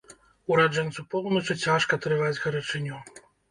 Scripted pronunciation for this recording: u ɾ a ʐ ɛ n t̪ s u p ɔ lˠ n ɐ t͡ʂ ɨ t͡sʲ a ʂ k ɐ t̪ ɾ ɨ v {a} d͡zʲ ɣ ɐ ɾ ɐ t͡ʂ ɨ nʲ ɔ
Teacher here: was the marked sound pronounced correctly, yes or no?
yes